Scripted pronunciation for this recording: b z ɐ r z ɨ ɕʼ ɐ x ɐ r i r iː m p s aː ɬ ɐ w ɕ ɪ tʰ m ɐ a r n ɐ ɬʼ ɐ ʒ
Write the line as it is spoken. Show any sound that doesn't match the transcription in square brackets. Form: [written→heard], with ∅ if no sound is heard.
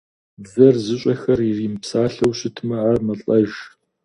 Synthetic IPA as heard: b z ɐ r z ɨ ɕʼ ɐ x ɐ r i r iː m p s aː ɬ ɐ w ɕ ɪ tʰ m ɐ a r [n→m] ɐ ɬʼ ɐ ʒ